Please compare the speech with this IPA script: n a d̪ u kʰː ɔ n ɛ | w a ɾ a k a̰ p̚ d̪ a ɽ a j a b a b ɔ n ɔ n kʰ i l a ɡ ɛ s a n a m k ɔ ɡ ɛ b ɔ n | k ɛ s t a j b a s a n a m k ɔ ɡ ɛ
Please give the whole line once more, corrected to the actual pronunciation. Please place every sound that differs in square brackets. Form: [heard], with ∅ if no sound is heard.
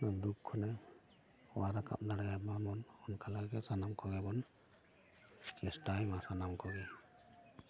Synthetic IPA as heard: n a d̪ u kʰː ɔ n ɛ | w a ɾ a k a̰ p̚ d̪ a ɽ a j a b a [m] ɔ n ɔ n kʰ [a] l a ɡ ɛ s a n a m k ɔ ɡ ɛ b ɔ n | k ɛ s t a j [m] a s a n a m k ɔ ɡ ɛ